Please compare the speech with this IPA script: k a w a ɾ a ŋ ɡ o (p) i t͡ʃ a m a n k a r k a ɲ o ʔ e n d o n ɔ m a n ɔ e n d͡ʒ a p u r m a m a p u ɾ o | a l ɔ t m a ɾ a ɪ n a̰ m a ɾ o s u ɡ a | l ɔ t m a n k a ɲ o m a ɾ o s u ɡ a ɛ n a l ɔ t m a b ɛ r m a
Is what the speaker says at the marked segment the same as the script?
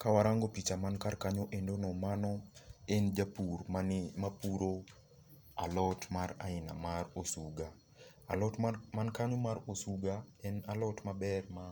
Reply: yes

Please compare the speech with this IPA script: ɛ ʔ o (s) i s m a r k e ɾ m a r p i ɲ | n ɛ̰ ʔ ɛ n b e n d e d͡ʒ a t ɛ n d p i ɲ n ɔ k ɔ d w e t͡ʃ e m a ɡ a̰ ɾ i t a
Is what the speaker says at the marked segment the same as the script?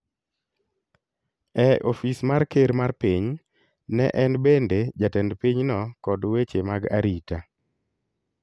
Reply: no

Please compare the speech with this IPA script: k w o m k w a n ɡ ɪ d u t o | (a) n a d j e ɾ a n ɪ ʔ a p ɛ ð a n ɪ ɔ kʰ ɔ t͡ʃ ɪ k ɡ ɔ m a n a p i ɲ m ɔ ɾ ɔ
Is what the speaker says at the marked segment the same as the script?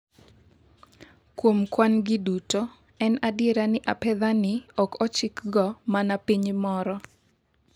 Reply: no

